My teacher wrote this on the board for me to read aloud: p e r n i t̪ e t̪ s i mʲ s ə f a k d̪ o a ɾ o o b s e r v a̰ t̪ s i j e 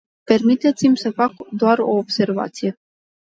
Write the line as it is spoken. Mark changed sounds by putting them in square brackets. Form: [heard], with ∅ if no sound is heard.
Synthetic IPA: p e r [m] i t̪ e t̪ s i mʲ s ə f a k d̪ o a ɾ o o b s e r v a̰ t̪ s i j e